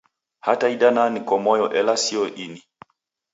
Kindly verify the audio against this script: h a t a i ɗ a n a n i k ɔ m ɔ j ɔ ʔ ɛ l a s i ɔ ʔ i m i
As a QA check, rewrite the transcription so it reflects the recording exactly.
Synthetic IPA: h a t a i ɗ a n a n i k ɔ m ɔ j ɔ ʔ ɛ l a s i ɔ ʔ i n i